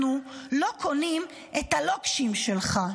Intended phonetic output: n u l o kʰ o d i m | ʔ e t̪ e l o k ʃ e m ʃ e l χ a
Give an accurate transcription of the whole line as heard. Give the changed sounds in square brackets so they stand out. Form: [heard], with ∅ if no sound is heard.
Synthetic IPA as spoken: n u l o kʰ o [n] i m | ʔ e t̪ [a] l o k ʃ [i] m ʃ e l χ a